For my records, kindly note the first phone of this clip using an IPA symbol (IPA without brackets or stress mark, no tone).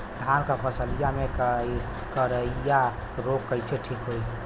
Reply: d̪ʱ